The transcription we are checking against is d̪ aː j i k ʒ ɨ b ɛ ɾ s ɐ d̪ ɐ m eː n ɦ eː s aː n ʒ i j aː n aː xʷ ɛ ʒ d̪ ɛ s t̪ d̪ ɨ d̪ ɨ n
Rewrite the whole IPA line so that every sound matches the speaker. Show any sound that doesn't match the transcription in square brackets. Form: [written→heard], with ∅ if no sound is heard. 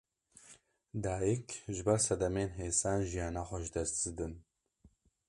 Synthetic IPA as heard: d̪ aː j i k ʒ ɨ b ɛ ɾ s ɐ d̪ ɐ m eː n ɦ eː s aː n ʒ i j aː n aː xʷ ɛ ʒ d̪ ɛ s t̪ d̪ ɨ d̪ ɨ n

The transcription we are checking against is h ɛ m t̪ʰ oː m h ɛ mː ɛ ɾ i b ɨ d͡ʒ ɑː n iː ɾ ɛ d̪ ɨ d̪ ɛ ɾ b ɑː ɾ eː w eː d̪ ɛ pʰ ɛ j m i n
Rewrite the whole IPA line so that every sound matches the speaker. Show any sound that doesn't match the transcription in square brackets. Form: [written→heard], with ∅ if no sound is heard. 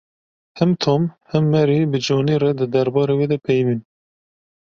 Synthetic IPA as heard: h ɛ m t̪ʰ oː m h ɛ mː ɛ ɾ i b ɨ d͡ʒ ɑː n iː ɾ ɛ d̪ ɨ d̪ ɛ ɾ b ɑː ɾ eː w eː d̪ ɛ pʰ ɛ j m i n

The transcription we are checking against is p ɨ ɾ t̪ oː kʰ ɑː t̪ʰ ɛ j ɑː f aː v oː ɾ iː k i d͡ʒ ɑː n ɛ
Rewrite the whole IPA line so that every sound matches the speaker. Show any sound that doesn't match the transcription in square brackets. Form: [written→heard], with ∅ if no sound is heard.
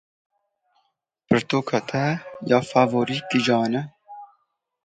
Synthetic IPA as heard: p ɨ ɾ t̪ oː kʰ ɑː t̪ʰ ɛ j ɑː f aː v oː ɾ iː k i d͡ʒ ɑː n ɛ

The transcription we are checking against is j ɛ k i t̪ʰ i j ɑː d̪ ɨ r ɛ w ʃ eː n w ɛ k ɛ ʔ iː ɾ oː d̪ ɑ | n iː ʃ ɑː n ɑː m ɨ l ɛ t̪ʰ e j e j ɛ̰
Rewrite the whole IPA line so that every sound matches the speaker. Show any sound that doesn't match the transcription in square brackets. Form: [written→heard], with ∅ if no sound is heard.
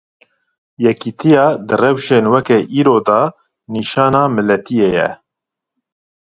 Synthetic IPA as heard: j ɛ k i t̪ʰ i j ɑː d̪ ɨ r ɛ w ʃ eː n w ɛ k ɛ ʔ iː ɾ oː d̪ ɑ | n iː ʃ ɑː n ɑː m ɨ l ɛ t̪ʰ [e→i] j e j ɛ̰

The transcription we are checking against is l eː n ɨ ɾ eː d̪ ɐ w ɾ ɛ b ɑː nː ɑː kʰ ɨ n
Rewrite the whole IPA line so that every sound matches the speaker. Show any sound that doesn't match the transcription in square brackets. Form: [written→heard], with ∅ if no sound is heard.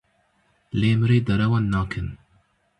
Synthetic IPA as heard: l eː [n→m] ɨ ɾ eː d̪ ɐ [w→∅] ɾ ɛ [b→w] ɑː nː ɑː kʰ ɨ n

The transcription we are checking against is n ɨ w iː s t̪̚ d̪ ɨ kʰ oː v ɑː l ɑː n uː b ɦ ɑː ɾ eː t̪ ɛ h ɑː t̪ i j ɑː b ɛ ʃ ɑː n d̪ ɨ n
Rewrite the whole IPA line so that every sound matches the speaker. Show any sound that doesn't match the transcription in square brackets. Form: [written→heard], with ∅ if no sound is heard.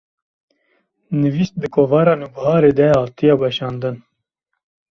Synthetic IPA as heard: n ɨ [w→v] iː s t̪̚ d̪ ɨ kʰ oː v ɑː [l→ɾ] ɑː n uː b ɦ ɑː ɾ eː [t̪→d̪] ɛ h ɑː t̪ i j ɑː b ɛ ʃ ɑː n d̪ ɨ n

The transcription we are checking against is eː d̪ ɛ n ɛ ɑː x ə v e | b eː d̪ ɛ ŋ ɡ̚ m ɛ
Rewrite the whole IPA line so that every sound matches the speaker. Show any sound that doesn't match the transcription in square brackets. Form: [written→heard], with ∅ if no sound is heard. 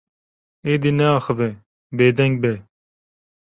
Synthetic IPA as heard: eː d̪ [ɛ→i] n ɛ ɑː x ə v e | b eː d̪ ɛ ŋ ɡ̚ [m→b] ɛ

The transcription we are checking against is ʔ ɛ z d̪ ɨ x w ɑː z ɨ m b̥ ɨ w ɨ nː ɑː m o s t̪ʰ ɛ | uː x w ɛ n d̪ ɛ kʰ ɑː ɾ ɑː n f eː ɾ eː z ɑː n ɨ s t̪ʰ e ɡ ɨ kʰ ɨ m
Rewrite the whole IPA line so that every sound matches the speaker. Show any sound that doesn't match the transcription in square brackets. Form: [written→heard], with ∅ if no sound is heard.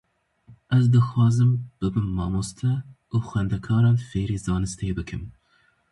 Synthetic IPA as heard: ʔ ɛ z d̪ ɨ x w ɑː z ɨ m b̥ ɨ [w→b] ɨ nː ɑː m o s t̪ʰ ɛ | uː x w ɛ n d̪ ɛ kʰ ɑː ɾ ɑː n f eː ɾ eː z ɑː n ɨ s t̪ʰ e [ɡ→b] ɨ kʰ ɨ m

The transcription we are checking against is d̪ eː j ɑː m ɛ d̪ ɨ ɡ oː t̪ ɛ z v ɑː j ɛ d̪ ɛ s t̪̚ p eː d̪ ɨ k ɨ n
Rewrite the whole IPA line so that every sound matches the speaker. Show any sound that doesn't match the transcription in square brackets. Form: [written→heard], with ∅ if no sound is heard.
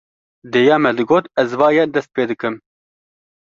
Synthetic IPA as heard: d̪ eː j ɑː m ɛ d̪ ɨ ɡ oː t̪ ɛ z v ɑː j ɛ d̪ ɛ s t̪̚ p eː d̪ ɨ k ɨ [n→m]

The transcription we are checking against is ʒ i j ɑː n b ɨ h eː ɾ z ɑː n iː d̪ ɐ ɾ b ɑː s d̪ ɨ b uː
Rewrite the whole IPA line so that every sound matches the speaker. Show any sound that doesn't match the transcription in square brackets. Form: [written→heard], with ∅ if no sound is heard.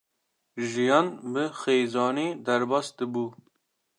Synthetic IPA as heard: ʒ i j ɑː n b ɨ [h→x] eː [ɾ→∅] z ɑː n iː d̪ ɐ ɾ b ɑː s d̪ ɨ b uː

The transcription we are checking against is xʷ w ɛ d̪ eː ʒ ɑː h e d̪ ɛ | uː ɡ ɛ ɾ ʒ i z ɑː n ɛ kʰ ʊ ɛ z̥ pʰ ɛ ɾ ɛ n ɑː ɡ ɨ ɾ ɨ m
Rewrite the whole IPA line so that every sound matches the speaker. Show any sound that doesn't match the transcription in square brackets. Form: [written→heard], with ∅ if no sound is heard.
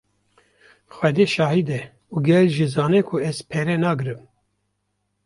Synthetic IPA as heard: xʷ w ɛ d̪ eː [ʒ→ʃ] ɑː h [e→i] d̪ ɛ | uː ɡ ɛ [ɾ→l] ʒ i z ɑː n ɛ kʰ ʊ ɛ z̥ pʰ ɛ ɾ ɛ n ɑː ɡ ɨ ɾ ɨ m

